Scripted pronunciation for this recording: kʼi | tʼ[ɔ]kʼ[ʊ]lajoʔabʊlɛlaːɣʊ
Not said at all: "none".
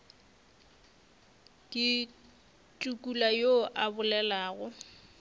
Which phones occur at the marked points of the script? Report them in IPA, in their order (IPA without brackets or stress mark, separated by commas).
u, u